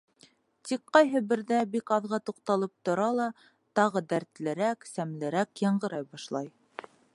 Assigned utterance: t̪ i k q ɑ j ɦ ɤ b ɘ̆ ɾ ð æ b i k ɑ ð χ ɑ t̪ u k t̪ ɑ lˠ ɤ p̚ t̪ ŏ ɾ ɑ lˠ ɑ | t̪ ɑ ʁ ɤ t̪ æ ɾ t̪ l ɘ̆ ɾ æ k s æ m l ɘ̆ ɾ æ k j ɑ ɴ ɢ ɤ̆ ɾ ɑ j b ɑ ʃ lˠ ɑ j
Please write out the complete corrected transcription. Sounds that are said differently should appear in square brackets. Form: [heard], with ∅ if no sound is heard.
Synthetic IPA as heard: t̪ i k q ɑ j ɦ ɤ b ɘ̆ ɾ ð æ b i k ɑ ð [ʁ] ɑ t̪ u [q] t̪ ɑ lˠ ɤ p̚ t̪ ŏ ɾ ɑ lˠ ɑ | t̪ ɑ ʁ ɤ [d̪] æ ɾ t̪ l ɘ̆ ɾ æ k s æ m l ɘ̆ ɾ æ k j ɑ ɴ ɢ ɤ̆ ɾ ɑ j b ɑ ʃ lˠ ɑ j